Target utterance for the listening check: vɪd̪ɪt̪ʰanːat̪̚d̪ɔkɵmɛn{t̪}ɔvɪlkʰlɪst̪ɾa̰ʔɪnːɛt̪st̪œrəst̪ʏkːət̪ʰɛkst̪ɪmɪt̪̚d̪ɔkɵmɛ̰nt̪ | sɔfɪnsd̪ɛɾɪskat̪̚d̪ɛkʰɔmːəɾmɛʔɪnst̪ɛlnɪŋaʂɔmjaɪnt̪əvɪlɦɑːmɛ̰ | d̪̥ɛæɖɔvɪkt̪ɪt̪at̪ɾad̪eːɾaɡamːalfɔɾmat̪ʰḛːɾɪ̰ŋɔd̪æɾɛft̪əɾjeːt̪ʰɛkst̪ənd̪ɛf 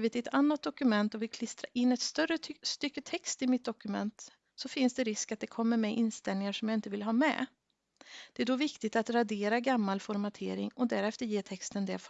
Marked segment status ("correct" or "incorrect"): correct